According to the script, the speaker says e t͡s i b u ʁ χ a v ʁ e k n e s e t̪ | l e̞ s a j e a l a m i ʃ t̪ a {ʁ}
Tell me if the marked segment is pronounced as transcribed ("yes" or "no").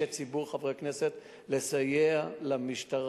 yes